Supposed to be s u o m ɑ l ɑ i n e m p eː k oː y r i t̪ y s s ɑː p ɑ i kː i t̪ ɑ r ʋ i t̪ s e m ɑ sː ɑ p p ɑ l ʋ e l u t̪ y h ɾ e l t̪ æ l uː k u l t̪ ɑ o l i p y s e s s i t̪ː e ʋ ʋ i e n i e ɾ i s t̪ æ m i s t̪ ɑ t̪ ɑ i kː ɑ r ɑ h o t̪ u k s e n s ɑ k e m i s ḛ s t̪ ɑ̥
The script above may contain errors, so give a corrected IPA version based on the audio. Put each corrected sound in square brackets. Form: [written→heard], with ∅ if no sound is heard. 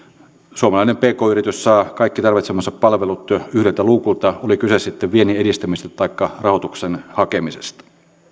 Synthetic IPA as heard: s u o m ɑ l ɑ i n e m p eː k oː y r i t̪ y s s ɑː [p→k] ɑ i kː i t̪ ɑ r ʋ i t̪ s e m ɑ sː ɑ p p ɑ l ʋ e l u t̪ y h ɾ e l t̪ æ l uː k u l t̪ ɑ o l i [p→k] y s e s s i t̪ː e ʋ ʋ i e n i e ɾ i s t̪ æ m i s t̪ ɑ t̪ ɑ i kː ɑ r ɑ h o t̪ u k s e n [s→h] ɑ k e m i s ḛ s t̪ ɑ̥

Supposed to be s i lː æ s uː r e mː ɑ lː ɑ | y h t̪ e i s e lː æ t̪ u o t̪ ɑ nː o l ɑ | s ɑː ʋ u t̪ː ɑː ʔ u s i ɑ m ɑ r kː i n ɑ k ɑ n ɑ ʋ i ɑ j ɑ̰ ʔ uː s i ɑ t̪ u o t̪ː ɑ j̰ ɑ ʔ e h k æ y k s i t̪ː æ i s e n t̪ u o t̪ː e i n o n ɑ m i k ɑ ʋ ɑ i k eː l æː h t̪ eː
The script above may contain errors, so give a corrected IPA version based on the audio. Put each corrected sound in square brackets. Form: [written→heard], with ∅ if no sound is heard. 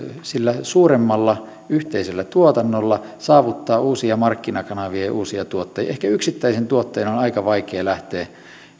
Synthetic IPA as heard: s i lː æ s uː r e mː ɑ lː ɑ | y h t̪ e i s e lː æ t̪ u o t̪ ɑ nː o [l→lː] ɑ | s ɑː ʋ u t̪ː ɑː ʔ [u→uː] s i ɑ m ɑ r kː i n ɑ k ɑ n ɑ ʋ i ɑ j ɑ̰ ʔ uː s i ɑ t̪ u o t̪ː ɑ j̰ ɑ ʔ e h k æ y k s i t̪ː æ i s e n t̪ u o t̪ː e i n o n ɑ [m→∅] i k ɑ ʋ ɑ i k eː l [æː→æ] h t̪ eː

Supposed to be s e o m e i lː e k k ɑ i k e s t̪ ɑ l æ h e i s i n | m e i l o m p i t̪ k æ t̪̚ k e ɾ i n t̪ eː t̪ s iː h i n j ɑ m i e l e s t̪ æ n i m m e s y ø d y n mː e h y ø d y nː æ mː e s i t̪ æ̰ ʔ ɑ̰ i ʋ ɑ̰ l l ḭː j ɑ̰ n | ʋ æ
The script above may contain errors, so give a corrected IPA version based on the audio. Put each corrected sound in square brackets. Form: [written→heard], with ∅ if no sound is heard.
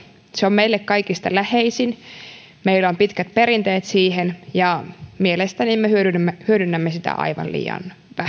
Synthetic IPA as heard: s e o m e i lː e k k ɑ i k [e→i] s t̪ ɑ l æ h e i s i n | m e i l o m p i t̪ k æ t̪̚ [k→p] e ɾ i n t̪ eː t̪ s iː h [i→e] n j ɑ m i e l e s t̪ æ n i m m e [s→h] y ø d y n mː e h y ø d y nː æ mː e s i t̪ æ̰ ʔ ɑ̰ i ʋ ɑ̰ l l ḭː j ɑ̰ n | ʋ æ

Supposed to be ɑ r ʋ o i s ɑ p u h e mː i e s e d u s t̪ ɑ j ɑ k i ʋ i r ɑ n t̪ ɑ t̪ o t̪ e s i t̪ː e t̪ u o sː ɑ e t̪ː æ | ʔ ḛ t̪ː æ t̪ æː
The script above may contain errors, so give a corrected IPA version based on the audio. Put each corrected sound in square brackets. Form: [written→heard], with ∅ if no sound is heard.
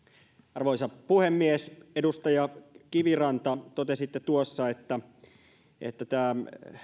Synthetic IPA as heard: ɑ r ʋ o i s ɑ p u h e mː i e s e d u s t̪ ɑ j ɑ k i ʋ i r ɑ n t̪ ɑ t̪ o t̪ e s i t̪ː e t̪ u o sː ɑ e t̪ː æ | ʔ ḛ t̪ː æ t̪ æː

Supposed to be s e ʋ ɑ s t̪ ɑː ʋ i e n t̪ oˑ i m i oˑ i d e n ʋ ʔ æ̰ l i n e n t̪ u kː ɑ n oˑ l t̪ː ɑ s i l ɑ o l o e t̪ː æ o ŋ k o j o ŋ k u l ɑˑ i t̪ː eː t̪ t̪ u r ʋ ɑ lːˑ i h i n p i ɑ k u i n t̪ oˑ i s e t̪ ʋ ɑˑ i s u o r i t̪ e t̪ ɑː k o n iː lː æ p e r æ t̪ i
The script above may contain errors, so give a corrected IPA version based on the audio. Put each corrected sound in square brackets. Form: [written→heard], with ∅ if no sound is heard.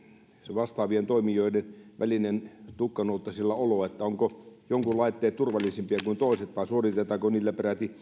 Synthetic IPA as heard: s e ʋ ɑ s t̪ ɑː ʋ i e n t̪ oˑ i m i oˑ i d e n ʋ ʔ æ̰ l i n e n t̪ u kː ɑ n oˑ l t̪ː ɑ s i [l→lː] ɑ o l o e t̪ː æ o ŋ k o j o ŋ k u l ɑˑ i t̪ː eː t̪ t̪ u r ʋ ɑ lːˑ i [h→s] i [n→m] p i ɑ k u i n t̪ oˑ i s e t̪ ʋ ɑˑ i s u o r i t̪ e t̪ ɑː k o n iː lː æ p e r æ t̪ i

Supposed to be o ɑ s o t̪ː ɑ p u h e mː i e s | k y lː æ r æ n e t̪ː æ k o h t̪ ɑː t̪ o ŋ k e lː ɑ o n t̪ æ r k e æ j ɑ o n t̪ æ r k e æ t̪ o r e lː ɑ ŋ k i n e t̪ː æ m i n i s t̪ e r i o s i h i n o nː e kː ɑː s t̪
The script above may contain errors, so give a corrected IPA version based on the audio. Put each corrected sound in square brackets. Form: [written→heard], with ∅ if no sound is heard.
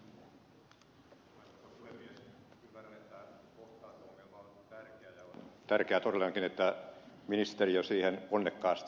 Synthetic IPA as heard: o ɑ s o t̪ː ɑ p u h e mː i e s | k y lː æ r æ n e t̪ː æ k o h t̪ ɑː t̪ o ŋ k e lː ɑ o n t̪ æ r k e æ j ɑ o n t̪ æ r k e æ t̪ o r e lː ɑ ŋ k i n e t̪ː æ m i n i s t̪ e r i o s [i→iː] h [i→e] n o nː e kː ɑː s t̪

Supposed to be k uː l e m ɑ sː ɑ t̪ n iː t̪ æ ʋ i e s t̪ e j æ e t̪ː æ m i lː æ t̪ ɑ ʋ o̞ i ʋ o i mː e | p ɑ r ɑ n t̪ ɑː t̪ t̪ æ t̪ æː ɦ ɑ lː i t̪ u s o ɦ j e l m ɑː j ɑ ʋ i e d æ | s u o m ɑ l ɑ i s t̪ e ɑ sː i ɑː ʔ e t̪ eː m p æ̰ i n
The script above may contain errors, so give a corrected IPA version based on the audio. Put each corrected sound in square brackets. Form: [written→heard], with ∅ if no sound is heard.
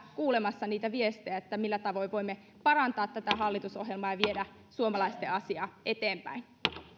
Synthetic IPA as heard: k uː l e m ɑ sː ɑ [t̪→∅] n iː t̪ æ ʋ i e s t̪ e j æ e t̪ː æ m i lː æ t̪ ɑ ʋ o̞ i ʋ o i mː e | p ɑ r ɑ n t̪ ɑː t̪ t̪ æ t̪ [æː→æ] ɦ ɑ lː i t̪ u s o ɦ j e l m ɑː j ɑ ʋ i e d æ | s u o m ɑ l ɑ i s t̪ e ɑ [sː→s] i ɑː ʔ e t̪ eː m p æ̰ i n

